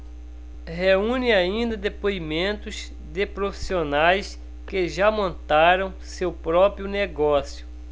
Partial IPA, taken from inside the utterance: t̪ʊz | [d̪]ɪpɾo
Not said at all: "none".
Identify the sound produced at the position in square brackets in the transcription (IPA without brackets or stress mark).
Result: d̪